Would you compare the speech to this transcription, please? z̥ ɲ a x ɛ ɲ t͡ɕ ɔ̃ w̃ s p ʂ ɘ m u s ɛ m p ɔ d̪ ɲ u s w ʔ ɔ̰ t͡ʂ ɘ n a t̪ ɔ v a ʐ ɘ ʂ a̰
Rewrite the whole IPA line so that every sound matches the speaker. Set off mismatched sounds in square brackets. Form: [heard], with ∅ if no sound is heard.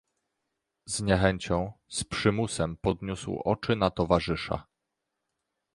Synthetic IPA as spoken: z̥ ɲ [ɛ] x ɛ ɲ t͡ɕ ɔ̃ w̃ s p ʂ ɘ m u s ɛ m p ɔ d̪ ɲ u s w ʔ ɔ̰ t͡ʂ ɘ n a t̪ ɔ v a ʐ ɘ ʂ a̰